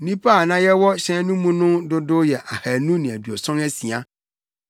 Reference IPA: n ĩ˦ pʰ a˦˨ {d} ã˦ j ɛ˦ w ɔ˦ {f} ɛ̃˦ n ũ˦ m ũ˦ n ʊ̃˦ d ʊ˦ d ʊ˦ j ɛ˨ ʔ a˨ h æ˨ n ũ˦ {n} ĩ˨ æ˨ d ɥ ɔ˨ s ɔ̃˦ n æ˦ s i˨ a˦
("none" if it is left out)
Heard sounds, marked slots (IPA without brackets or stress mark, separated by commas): n, ɕ, n